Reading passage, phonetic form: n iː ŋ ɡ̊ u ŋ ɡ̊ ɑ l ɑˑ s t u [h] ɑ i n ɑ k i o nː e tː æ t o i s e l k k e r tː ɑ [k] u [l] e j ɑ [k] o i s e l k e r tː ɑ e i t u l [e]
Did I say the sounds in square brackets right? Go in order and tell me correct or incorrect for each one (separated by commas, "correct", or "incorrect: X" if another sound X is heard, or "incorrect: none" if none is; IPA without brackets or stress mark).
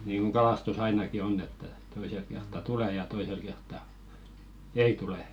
incorrect: s, incorrect: t, correct, incorrect: t, correct